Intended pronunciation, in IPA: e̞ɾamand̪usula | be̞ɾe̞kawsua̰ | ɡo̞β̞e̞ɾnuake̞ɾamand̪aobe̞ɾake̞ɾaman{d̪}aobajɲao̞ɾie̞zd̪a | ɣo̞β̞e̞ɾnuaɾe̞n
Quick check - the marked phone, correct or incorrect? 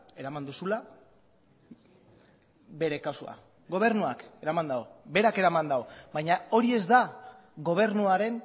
correct